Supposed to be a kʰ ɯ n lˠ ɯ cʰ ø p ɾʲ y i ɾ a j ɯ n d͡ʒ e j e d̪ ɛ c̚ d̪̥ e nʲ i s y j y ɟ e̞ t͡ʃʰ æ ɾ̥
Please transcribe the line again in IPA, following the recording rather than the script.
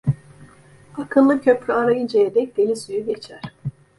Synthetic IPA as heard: a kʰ ɯ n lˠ ɯ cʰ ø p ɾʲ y a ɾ a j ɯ n d͡ʒ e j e d̪ ɛ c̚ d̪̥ e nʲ i s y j y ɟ e̞ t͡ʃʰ æ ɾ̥